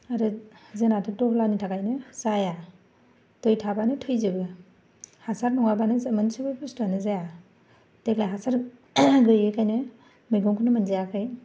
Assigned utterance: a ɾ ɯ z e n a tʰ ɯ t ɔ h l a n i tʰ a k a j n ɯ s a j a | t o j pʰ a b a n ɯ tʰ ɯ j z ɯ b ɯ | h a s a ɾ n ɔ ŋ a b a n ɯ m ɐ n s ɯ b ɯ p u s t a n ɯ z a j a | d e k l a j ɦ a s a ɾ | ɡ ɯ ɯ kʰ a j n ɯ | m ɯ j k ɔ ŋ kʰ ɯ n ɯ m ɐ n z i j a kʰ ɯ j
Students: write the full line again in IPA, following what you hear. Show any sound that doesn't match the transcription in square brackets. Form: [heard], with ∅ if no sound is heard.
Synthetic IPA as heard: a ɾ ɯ z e n a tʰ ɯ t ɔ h l a n i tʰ a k a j n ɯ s a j a | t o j [tʰ] a b a n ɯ tʰ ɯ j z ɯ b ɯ | h a s a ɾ n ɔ ŋ a b a n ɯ m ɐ n s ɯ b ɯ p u s t a n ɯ z a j a | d e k l a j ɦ a s a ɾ | ɡ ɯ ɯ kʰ a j n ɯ | m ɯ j [ɡ] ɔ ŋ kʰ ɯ n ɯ m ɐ n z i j a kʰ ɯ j